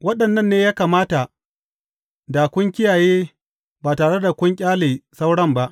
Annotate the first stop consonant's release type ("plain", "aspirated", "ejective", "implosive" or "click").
implosive